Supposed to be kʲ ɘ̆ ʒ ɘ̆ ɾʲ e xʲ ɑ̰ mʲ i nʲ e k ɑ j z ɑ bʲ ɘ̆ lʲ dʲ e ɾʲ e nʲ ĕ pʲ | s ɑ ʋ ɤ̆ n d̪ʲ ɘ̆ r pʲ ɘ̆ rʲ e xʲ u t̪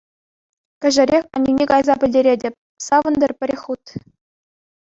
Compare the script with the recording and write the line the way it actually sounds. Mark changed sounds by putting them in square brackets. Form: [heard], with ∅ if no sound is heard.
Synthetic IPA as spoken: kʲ ɘ̆ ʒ ɘ̆ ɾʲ e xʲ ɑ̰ [nʲ] i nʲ e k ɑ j z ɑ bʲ ɘ̆ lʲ dʲ e ɾʲ e [dʲ] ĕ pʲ | s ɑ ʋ ɤ̆ n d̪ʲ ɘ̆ r pʲ ɘ̆ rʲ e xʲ u t̪